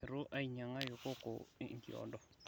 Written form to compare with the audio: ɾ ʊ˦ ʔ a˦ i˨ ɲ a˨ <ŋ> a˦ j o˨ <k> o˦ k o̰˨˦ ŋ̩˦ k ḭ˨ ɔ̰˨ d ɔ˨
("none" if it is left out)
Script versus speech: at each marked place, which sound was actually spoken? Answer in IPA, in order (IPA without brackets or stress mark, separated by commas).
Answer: ŋ, k